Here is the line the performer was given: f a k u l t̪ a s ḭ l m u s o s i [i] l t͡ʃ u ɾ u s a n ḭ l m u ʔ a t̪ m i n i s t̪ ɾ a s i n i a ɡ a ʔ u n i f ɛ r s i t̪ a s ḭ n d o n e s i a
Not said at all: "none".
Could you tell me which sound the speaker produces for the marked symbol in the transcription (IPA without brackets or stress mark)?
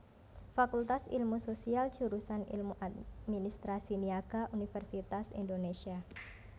a